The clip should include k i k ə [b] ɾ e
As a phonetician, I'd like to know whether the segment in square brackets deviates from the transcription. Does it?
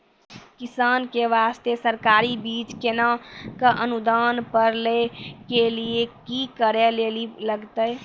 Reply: yes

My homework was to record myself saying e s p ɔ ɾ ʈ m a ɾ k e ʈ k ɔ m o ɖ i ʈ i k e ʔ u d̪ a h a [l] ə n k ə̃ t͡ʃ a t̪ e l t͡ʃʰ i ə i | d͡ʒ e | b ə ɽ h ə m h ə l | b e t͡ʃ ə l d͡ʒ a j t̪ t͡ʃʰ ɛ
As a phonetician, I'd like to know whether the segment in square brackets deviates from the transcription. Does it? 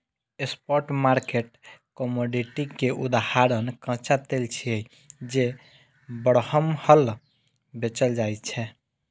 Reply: yes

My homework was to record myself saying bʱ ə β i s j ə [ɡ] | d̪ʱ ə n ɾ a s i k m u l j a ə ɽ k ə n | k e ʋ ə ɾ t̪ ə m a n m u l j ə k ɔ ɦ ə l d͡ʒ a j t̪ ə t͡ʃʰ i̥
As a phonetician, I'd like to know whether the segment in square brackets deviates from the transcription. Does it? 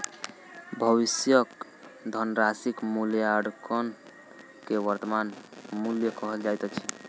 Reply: yes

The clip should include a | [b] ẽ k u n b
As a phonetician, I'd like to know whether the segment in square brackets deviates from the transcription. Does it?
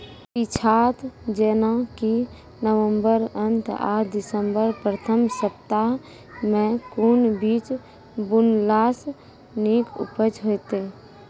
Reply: yes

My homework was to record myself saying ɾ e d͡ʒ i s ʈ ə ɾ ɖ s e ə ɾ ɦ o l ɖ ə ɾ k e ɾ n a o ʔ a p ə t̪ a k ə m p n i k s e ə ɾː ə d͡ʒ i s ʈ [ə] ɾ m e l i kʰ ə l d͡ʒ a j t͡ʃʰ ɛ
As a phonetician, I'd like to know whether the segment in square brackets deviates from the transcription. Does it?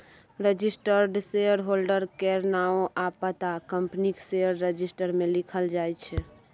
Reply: no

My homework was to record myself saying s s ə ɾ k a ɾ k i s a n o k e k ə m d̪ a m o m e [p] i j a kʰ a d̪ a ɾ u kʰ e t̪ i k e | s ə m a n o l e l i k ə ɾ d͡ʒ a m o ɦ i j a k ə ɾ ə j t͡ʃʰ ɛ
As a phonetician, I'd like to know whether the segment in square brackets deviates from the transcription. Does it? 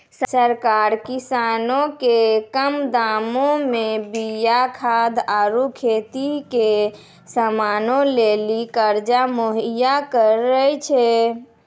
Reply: yes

